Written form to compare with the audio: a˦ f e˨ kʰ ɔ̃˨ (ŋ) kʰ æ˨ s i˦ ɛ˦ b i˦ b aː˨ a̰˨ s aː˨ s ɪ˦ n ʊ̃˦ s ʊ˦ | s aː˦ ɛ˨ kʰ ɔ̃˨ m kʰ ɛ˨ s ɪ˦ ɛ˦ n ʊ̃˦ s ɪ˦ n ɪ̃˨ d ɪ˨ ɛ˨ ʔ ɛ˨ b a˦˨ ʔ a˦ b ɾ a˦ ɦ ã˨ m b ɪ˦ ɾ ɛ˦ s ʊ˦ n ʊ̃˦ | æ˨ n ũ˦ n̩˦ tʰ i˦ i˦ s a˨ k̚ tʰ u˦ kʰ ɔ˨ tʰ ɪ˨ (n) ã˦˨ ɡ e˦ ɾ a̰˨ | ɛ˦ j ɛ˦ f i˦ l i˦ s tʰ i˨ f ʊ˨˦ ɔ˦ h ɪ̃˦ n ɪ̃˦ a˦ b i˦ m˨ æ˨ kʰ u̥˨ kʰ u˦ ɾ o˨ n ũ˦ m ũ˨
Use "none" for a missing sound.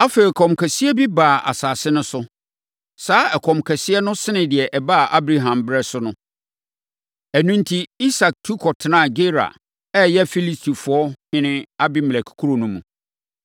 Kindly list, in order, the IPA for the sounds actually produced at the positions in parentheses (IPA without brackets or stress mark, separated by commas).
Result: m, n